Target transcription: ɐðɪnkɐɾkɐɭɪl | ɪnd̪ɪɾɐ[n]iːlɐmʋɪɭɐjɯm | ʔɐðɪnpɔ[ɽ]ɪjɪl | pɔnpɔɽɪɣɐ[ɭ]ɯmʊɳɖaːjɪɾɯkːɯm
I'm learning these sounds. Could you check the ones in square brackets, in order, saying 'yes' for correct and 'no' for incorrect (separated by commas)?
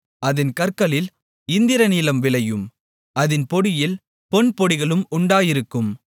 yes, yes, yes